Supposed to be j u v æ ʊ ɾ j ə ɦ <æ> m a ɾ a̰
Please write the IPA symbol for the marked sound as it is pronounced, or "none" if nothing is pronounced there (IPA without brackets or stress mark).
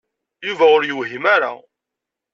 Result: i